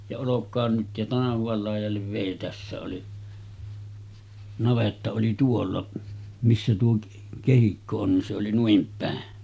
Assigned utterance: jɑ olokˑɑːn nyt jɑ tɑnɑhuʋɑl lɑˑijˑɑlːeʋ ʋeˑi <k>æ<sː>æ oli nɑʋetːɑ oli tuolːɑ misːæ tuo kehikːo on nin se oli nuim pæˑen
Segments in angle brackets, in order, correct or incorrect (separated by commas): incorrect, correct